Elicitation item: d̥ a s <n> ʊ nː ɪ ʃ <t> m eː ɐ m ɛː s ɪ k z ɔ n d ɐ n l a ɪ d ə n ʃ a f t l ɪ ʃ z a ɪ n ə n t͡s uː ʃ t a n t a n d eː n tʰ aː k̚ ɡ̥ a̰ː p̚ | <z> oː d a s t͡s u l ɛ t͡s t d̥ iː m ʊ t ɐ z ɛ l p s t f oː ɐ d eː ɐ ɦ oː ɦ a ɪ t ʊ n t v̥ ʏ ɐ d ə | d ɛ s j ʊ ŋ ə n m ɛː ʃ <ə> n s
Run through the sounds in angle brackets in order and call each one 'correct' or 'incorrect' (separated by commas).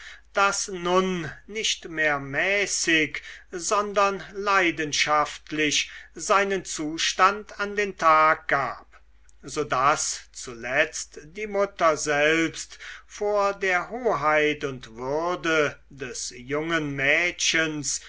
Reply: correct, correct, correct, correct